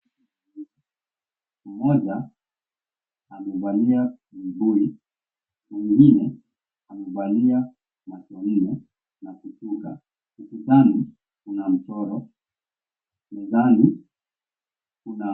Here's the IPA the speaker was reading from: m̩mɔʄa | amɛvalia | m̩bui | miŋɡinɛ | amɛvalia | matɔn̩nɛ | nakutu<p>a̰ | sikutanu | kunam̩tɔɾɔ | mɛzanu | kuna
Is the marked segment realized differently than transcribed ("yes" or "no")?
yes